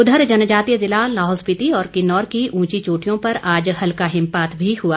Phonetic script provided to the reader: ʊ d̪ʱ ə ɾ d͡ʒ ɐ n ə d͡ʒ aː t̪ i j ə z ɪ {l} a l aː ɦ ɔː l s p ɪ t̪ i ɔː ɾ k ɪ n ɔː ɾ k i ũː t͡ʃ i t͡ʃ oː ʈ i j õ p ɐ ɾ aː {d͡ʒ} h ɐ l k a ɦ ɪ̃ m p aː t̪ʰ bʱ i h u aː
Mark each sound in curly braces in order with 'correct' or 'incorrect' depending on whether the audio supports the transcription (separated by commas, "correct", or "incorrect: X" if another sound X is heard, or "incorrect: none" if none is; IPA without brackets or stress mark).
correct, correct